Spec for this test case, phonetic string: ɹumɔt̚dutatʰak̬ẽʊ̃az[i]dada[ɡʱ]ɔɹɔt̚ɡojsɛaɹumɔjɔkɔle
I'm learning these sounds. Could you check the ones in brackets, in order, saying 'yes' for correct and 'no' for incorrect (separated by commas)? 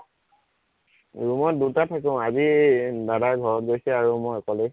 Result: yes, yes